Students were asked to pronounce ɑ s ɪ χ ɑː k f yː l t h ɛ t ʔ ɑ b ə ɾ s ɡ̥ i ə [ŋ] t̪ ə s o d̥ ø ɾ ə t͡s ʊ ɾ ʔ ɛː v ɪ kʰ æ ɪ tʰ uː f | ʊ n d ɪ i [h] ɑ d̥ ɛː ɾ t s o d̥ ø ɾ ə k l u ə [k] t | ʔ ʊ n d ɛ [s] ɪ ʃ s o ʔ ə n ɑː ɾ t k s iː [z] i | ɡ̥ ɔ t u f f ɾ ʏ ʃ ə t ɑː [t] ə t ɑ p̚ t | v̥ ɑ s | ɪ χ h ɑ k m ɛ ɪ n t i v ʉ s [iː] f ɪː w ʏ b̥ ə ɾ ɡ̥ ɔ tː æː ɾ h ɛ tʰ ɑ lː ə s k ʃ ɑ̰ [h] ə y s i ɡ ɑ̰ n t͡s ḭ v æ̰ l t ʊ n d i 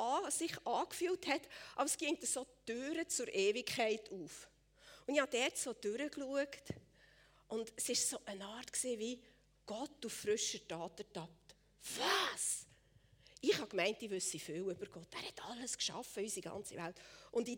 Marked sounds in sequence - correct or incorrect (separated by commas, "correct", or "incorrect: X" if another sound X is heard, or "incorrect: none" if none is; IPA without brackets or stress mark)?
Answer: correct, correct, correct, correct, incorrect: v, correct, incorrect: i, incorrect: f